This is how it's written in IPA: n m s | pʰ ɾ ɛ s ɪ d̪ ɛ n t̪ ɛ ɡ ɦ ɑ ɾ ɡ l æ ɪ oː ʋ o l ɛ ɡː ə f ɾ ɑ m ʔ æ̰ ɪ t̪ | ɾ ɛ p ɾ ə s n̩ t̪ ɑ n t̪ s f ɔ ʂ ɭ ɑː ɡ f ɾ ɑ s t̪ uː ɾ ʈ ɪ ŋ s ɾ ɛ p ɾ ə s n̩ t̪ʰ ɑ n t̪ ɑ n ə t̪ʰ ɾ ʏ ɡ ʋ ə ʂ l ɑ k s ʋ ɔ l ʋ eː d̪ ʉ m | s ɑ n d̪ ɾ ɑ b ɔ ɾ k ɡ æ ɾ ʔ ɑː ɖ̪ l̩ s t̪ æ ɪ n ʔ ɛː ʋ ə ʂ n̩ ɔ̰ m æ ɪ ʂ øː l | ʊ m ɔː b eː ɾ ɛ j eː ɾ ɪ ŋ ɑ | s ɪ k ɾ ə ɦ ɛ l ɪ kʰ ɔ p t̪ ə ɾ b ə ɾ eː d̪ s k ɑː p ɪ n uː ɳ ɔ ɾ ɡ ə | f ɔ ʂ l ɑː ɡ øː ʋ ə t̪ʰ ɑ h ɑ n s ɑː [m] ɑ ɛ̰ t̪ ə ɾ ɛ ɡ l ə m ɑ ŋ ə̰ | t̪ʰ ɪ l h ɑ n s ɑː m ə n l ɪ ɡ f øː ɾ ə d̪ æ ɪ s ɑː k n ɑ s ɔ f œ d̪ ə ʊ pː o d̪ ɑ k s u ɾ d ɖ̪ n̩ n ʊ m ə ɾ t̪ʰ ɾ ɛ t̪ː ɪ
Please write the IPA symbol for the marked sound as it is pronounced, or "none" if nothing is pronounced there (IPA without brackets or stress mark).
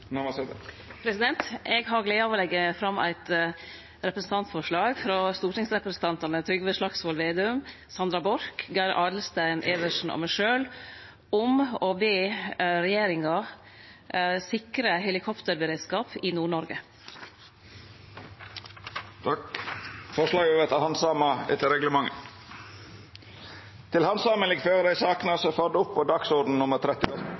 m